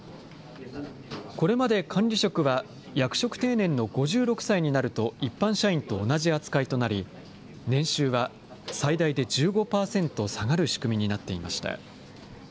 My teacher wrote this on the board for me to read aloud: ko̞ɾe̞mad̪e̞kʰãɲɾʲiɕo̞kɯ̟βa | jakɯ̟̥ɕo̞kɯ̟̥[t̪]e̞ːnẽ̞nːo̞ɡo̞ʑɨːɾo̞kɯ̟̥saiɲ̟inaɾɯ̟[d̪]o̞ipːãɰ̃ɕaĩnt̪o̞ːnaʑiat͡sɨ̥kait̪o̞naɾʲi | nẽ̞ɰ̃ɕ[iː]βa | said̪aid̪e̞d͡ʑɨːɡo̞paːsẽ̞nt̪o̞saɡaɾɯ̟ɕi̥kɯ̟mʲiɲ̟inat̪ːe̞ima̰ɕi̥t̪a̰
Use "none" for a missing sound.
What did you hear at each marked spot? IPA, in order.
t̪, t̪, ɨː

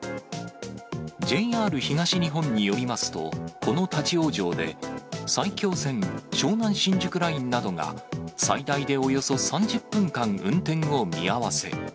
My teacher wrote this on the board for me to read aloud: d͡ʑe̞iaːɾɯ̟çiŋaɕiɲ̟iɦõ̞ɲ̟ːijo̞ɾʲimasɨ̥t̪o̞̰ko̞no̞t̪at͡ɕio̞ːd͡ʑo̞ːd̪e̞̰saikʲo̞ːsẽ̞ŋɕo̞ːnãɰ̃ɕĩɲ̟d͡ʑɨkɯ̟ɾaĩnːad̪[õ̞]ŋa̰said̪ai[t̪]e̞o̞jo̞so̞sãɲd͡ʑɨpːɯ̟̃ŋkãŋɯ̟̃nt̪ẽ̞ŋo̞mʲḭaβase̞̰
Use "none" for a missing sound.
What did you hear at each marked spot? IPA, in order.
o̞, d̪

